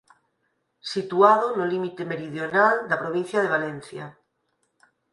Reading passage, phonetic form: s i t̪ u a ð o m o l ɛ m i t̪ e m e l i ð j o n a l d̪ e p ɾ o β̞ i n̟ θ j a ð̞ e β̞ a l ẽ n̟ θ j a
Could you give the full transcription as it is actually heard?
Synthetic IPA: s i t̪ u a ð o n o l i m i t̪ e m e ɾ i ð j o n a l d̪ a p ɾ o β̞ i n̟ θ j a ð̞ e β̞ a l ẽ n̟ θ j a